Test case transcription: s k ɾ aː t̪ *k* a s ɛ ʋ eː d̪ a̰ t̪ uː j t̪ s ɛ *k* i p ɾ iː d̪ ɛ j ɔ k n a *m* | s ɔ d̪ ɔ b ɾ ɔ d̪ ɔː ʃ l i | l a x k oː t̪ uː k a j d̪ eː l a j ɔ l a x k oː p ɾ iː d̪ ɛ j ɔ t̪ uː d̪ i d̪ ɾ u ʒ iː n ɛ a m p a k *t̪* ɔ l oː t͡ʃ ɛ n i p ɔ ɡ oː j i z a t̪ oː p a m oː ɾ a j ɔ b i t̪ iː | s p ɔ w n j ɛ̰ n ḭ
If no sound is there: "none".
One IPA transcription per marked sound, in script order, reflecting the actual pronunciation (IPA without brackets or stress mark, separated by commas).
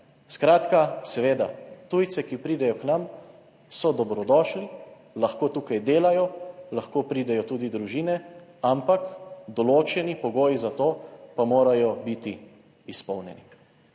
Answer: k, k, m, d̪